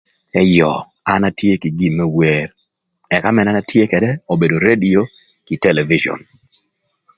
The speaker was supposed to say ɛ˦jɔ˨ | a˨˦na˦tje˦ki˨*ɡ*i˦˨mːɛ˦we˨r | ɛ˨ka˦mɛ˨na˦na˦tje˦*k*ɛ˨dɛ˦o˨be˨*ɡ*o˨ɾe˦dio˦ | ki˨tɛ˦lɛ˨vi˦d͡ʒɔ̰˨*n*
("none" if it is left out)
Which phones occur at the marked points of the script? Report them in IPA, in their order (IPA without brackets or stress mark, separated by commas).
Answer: ɡ, k, d, n